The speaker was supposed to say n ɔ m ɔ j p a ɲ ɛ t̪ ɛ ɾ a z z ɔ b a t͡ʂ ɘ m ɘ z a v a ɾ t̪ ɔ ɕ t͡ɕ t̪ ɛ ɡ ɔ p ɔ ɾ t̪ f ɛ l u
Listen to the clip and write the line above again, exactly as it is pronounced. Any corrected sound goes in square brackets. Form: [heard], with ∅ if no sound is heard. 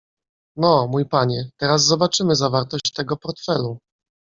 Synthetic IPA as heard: n ɔ m [u] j p a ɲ ɛ t̪ ɛ ɾ a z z ɔ b a t͡ʂ ɘ m ɘ z a v a ɾ t̪ ɔ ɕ t͡ɕ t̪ ɛ ɡ ɔ p ɔ ɾ t̪ f ɛ l u